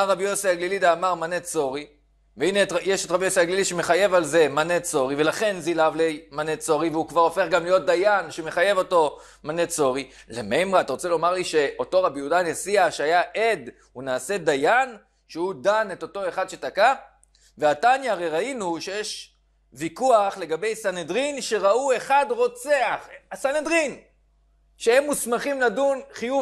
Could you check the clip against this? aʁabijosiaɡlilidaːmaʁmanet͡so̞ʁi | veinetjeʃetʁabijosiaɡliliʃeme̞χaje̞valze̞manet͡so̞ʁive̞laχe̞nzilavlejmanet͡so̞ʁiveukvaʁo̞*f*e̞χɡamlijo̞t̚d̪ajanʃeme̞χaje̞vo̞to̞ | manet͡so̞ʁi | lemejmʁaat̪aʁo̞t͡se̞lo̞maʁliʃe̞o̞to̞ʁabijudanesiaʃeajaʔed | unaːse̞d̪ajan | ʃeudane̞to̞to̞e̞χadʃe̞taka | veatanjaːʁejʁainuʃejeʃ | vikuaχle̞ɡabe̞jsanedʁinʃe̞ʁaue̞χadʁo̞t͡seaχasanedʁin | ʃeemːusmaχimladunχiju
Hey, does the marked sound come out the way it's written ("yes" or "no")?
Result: yes